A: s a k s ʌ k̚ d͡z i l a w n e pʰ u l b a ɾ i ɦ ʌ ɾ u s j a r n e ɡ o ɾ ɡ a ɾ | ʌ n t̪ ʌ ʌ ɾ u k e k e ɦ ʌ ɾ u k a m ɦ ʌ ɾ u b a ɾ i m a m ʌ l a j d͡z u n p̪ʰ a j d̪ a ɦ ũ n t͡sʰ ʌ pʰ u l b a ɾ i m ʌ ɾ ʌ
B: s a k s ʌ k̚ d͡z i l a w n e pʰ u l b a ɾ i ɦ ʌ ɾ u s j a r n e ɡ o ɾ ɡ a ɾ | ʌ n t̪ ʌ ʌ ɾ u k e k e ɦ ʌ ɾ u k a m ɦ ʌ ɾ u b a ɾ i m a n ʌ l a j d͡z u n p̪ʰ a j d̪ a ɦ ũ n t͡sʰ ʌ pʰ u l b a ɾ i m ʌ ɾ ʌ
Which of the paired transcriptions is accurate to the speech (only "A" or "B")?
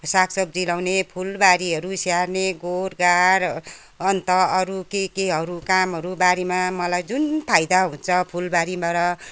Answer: A